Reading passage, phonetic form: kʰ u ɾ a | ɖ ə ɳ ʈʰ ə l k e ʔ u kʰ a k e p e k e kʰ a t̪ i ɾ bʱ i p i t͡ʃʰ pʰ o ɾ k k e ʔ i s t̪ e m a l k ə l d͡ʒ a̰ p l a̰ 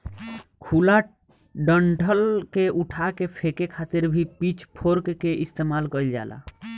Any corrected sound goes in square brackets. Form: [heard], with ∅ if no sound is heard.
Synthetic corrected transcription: kʰ u [l] a | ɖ ə ɳ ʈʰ ə l k e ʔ u [ʈʰ] a k e [pʰ] e k e kʰ a t̪ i ɾ bʱ i p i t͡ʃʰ pʰ o ɾ k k e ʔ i s t̪ e m a l k ə l d͡ʒ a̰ [∅] l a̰